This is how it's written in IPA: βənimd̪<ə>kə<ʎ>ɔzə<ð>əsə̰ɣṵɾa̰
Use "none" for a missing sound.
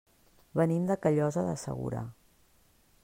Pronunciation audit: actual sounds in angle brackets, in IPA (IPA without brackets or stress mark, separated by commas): ə, ʎ, ð